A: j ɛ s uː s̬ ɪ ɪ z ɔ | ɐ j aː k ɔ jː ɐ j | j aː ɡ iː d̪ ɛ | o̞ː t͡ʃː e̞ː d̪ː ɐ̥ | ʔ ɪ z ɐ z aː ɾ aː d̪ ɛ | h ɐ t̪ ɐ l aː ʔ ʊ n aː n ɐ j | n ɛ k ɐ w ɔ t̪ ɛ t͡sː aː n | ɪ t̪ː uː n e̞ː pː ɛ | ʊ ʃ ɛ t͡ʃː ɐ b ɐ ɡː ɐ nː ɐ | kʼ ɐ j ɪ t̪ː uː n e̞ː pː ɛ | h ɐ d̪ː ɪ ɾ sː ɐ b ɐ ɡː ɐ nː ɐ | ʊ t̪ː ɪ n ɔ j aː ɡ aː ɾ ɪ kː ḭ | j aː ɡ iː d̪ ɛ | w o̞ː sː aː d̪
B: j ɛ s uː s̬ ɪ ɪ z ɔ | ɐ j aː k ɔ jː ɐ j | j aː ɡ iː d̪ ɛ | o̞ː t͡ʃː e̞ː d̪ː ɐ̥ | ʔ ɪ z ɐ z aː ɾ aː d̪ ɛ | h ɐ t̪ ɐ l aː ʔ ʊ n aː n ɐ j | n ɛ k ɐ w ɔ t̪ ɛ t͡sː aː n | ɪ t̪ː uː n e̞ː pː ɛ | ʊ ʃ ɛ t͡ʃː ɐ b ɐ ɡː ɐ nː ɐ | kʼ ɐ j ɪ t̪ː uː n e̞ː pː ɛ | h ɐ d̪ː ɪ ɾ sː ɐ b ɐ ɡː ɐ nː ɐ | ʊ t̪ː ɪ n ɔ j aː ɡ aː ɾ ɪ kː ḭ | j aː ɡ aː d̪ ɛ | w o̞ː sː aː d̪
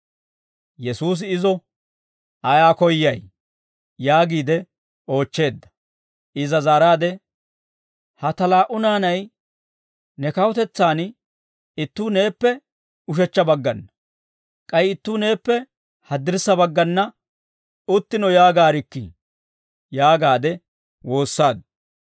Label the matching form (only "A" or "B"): B